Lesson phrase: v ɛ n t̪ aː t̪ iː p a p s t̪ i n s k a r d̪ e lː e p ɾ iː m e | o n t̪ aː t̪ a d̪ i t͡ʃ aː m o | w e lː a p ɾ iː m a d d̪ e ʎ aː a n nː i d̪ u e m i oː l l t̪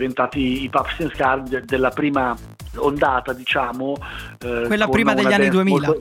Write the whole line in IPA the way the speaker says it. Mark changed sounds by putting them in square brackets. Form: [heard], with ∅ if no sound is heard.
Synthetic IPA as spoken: v [e] n t̪ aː t̪ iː p a p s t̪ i n s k a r d̪ e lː [a] p ɾ iː m [a] | o n [d̪] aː t̪ a d̪ i t͡ʃ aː m o | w e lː a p ɾ iː m a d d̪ e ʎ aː a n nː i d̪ u e m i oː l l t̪